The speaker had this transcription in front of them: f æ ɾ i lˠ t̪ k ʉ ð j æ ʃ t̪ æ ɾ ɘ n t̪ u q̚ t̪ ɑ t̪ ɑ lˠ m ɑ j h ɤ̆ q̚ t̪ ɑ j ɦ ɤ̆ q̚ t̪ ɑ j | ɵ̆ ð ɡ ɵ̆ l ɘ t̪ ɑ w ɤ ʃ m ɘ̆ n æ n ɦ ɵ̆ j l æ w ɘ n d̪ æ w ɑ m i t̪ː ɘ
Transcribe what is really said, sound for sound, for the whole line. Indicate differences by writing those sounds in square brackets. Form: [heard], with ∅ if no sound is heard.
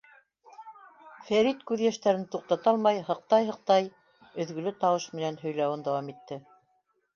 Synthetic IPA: f æ ɾ i [∅] t̪ k ʉ ð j æ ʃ t̪ æ ɾ ɘ n t̪ u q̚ t̪ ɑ t̪ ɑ lˠ m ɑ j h ɤ̆ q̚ t̪ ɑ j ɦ ɤ̆ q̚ t̪ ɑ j | ɵ̆ ð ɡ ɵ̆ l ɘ t̪ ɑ w ɤ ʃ m ɘ̆ n æ n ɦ ɵ̆ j l æ w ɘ n d̪ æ w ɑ m i t̪ː ɘ